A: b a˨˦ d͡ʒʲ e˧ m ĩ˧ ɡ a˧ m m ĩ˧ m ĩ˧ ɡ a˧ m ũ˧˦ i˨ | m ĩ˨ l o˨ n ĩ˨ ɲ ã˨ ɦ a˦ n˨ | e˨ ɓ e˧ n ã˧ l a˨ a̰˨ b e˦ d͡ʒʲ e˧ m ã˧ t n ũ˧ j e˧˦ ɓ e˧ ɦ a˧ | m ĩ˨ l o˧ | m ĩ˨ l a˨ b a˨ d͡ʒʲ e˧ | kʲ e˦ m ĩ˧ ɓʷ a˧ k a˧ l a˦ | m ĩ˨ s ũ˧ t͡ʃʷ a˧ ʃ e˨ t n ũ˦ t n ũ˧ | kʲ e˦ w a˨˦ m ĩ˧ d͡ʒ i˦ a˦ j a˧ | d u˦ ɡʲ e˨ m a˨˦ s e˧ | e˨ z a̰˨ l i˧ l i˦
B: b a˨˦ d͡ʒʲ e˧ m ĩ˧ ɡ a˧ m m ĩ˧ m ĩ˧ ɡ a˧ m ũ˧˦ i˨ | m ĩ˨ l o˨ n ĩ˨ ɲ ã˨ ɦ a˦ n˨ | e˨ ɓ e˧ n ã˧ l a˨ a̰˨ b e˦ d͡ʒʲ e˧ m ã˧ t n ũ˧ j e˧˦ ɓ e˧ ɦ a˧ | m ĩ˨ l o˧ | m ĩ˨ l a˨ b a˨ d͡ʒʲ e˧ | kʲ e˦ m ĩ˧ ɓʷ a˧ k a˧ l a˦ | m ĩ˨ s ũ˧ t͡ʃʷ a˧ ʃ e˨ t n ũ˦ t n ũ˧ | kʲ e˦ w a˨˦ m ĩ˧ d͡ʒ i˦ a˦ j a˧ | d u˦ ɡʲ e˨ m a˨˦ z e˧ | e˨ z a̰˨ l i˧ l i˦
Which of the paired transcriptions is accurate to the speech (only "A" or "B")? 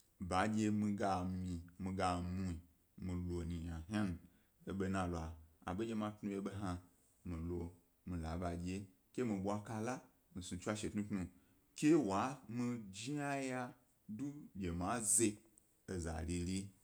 B